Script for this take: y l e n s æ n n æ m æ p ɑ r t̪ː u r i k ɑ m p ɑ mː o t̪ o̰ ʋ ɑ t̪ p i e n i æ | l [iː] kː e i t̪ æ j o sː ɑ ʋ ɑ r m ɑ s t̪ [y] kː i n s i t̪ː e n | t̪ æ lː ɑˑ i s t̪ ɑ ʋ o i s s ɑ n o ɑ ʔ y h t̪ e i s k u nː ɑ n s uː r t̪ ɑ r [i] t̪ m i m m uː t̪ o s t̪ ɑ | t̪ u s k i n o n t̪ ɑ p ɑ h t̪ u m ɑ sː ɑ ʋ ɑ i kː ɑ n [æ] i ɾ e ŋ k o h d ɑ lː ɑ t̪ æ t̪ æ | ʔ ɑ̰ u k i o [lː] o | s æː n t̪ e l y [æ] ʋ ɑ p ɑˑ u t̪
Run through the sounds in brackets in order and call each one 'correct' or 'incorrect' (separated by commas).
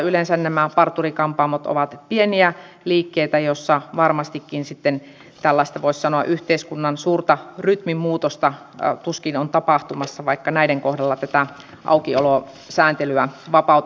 correct, incorrect, incorrect, correct, incorrect, correct